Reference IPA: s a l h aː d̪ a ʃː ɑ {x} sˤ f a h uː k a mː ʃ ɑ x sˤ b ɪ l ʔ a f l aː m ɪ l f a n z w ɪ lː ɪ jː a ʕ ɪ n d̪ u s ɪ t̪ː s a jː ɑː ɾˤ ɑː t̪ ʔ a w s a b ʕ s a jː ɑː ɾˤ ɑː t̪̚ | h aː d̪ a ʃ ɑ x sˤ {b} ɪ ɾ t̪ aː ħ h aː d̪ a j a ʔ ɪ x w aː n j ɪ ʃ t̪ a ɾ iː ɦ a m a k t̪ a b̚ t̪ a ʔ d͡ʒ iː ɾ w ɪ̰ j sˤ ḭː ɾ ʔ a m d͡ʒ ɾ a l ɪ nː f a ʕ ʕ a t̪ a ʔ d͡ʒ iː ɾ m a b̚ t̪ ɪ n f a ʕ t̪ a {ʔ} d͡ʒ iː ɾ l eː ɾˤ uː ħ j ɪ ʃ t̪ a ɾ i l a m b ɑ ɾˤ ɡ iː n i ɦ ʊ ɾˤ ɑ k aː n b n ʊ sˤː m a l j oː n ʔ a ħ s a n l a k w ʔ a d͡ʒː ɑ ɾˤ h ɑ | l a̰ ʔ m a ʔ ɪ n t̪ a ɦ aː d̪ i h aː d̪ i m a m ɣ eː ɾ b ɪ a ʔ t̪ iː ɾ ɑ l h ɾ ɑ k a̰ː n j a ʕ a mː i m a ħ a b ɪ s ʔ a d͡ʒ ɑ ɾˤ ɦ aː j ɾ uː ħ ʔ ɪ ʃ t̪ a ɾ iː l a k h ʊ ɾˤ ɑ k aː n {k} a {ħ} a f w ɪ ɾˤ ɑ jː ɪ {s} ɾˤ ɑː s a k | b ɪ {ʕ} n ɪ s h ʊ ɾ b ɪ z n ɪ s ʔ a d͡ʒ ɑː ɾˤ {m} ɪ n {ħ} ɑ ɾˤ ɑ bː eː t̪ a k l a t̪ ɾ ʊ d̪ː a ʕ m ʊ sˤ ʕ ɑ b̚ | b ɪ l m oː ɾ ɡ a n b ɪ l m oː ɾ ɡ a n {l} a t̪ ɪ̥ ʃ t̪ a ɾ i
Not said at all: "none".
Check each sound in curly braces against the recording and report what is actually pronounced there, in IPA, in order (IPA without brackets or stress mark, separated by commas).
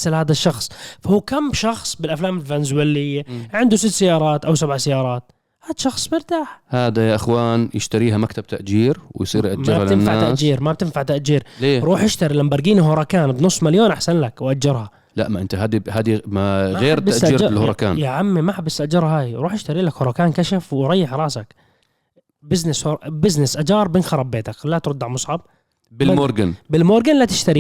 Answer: x, m, ʔ, k, ʃ, ħ, z, b, x, l